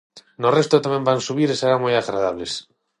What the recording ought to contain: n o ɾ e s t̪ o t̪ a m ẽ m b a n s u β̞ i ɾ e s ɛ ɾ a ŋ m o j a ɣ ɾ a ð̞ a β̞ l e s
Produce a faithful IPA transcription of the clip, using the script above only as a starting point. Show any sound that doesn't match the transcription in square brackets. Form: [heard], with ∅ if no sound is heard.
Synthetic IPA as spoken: n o [r] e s t̪ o t̪ a m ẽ m b a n s u β̞ i ɾ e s [e] ɾ a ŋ m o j a ɣ ɾ a ð̞ a β̞ l e s